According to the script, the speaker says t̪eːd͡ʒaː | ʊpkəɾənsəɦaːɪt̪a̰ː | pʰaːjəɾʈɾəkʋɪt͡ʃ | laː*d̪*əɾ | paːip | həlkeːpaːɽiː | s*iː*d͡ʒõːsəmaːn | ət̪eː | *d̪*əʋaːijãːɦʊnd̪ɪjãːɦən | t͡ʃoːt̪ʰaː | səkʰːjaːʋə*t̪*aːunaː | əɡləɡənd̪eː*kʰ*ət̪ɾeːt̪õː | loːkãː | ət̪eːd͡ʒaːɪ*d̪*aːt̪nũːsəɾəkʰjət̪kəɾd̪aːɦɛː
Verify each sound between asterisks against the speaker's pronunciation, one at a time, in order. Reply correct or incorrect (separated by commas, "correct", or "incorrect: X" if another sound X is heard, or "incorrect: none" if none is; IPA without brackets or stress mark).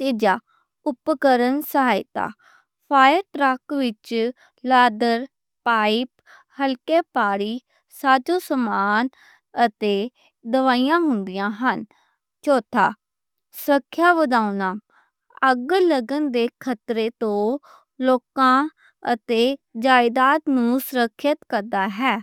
correct, incorrect: aː, correct, incorrect: d̪, correct, correct